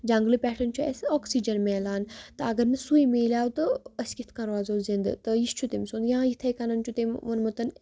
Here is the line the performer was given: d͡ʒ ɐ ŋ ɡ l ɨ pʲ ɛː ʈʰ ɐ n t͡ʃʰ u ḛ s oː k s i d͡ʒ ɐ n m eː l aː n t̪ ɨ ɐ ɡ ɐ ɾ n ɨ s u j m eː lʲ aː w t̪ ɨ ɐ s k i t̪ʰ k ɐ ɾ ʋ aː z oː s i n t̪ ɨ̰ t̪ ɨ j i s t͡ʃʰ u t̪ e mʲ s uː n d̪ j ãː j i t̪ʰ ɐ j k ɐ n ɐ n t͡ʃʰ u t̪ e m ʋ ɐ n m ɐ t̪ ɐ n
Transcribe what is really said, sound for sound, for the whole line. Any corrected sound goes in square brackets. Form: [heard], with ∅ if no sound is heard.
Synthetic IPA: d͡ʒ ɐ ŋ ɡ l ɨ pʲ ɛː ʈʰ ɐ n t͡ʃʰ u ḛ s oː k s i d͡ʒ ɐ n m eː l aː n t̪ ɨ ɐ ɡ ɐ ɾ n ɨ s u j m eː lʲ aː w t̪ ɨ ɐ s k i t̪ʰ k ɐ ɾ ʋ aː z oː [z] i n [d̪] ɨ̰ t̪ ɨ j i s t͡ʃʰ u t̪ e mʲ s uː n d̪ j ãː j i t̪ʰ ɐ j k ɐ n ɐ n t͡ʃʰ u t̪ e m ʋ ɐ n m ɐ t̪ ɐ n

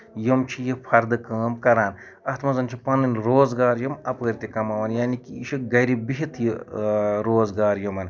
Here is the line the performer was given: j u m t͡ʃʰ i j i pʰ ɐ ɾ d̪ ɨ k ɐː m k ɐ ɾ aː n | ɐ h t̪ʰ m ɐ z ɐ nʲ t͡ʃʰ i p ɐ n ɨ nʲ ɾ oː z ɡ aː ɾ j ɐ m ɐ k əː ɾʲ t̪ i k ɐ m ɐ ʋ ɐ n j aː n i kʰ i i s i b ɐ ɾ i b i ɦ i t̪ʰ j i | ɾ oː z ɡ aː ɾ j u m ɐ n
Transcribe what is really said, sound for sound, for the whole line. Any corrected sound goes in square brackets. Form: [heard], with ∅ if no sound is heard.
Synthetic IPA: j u m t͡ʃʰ i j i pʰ ɐ ɾ d̪ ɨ k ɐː m k ɐ ɾ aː n | ɐ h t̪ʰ m ɐ z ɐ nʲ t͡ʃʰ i p ɐ n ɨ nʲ ɾ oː z ɡ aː ɾ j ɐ m ɐ [p] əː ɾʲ t̪ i k ɐ m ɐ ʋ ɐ n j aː n i [k] i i [ʃ] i [ɡ] ɐ ɾ i b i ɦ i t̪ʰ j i | ɾ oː z ɡ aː ɾ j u m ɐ n

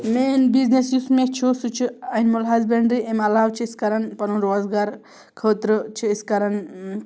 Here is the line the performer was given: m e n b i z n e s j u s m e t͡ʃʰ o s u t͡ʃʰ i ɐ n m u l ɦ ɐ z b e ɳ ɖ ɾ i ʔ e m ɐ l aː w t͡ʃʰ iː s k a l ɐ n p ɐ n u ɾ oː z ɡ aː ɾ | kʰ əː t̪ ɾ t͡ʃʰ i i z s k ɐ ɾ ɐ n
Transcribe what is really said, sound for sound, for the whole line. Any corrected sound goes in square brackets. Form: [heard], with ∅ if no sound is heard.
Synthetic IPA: m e n b i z n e s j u s m e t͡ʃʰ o s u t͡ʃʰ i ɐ n m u l ɦ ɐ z b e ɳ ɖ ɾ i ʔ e m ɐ l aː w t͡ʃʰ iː s k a [ɾ] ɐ n p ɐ n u ɾ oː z ɡ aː ɾ | kʰ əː t̪ ɾ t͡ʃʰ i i [∅] s k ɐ ɾ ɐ n

